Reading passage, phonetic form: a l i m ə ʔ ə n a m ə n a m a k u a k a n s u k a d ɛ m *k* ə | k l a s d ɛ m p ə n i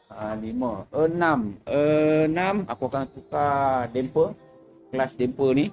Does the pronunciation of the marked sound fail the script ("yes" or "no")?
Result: yes